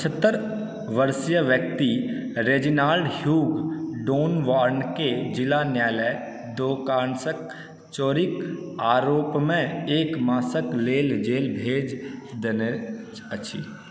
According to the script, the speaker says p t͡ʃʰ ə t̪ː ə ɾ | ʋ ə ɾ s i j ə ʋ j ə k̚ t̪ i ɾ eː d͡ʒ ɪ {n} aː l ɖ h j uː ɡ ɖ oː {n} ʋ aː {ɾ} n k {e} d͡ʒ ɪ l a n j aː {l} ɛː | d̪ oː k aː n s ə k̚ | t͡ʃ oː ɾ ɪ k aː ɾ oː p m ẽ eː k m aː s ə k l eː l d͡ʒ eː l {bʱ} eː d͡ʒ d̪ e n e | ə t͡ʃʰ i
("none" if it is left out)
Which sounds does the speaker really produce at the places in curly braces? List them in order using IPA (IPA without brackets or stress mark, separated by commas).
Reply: n, n, ɾ, e, l, bʱ